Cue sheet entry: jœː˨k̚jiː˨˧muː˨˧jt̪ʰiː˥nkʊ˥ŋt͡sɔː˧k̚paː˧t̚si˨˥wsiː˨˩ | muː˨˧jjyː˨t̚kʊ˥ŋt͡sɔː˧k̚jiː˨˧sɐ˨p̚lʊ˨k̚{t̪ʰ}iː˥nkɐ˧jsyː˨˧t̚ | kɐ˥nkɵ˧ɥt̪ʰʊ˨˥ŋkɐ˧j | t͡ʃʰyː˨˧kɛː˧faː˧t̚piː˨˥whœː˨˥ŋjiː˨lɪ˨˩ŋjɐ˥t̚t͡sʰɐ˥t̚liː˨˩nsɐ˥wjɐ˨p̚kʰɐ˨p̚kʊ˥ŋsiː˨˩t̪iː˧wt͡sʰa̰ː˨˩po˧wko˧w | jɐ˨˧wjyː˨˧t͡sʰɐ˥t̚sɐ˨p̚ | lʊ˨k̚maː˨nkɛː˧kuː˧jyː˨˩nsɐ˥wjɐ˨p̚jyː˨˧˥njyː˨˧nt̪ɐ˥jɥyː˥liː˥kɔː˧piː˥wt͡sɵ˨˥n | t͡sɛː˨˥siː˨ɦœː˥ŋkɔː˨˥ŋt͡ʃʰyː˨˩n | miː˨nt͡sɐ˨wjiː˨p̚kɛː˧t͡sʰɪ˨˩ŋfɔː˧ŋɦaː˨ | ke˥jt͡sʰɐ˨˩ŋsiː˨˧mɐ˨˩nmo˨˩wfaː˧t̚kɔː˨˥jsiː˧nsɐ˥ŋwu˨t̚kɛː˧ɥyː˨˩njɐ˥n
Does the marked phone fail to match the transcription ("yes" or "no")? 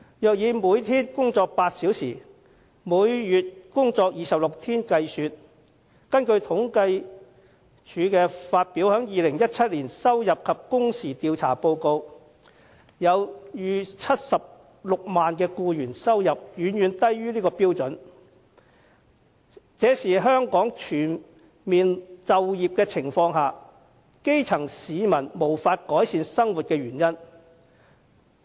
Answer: no